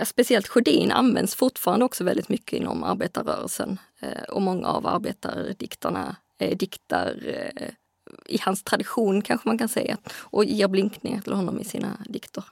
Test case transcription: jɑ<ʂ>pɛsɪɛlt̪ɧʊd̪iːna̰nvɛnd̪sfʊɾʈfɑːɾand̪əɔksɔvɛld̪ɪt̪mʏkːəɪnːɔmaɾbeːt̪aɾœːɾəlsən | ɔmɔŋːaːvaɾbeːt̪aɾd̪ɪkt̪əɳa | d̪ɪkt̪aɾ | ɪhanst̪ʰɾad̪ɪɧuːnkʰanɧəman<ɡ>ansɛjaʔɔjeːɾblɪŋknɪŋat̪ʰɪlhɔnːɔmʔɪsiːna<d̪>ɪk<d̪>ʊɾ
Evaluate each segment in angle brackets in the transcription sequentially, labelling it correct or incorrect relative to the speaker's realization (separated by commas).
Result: incorrect, incorrect, correct, incorrect